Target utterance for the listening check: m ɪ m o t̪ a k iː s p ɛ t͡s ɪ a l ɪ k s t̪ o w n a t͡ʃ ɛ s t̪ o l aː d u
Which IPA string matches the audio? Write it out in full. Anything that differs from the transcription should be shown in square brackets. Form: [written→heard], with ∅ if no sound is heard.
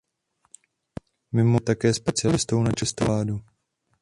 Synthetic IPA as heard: m ɪ m o t̪ a k [iː→ɛː] s p ɛ t͡s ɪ a l ɪ [k→∅] s t̪ o w n a t͡ʃ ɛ s t̪ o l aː d u